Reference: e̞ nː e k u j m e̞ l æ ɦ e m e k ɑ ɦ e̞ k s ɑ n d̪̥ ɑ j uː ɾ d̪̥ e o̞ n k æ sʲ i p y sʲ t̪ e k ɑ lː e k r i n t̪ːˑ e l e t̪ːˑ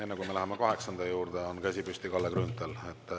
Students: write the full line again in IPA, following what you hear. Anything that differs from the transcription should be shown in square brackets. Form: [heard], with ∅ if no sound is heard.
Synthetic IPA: e̞ nː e k u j m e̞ l æ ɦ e m e k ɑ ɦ e̞ k s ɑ n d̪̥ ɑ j uː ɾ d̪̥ e o̞ n k æ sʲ i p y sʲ t̪ [i] k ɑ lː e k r [y] n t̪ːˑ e l e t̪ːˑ